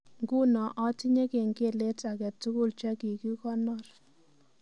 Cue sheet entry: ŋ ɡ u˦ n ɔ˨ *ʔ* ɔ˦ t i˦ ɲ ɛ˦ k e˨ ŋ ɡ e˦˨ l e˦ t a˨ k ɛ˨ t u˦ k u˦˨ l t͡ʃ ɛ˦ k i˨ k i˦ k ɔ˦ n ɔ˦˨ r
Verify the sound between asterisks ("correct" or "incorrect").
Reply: correct